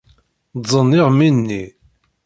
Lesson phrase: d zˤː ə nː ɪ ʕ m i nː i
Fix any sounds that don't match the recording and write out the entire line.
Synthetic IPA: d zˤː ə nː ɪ ʁ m i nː i